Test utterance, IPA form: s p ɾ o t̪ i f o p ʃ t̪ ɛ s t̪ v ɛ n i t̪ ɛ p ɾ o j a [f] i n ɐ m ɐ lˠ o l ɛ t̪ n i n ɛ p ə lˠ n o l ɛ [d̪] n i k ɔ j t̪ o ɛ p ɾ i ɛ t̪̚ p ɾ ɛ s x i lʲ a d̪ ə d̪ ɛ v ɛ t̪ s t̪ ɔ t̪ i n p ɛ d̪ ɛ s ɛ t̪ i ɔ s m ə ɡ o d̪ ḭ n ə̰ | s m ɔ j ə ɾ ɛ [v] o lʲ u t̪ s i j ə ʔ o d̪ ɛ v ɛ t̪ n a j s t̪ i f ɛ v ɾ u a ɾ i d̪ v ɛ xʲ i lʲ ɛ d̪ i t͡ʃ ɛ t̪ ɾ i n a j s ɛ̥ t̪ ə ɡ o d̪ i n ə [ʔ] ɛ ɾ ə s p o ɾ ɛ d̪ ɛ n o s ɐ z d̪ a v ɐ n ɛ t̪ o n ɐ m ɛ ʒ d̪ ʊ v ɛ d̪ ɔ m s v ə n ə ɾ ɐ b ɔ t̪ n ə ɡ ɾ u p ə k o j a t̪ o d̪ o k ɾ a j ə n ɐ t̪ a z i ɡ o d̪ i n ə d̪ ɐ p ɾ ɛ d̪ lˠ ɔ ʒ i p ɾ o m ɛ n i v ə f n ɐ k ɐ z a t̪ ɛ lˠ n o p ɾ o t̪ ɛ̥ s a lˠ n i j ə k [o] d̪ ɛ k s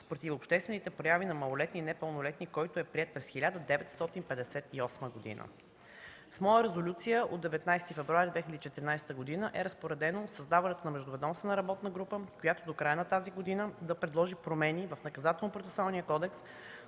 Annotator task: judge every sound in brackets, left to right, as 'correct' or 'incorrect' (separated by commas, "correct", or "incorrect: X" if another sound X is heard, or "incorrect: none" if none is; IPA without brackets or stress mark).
incorrect: v, incorrect: t̪, incorrect: z, correct, incorrect: ɔ